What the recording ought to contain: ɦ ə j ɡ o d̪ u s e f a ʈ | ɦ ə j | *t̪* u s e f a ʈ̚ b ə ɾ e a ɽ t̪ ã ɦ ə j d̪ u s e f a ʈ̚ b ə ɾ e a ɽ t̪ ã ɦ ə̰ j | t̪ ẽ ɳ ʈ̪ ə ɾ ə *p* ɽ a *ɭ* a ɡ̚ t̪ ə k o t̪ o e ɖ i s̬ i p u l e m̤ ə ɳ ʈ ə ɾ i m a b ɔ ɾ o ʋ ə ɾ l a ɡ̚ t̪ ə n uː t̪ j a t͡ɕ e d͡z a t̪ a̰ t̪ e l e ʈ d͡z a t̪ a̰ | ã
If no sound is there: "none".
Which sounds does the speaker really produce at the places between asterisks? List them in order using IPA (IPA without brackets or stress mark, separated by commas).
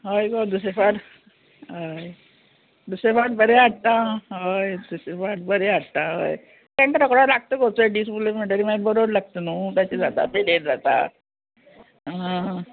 d̪, k, l